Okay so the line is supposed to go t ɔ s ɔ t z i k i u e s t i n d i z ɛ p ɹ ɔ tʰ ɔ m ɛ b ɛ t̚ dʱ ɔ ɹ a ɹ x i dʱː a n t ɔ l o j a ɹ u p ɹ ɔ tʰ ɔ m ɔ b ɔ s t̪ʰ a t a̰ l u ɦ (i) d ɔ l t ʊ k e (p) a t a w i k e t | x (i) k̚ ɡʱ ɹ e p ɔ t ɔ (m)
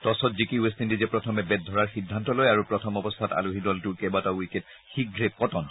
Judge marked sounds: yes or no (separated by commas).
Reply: yes, no, yes, no